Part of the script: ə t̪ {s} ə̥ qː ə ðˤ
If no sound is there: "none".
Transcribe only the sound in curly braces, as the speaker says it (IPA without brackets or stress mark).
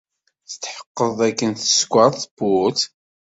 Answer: ħ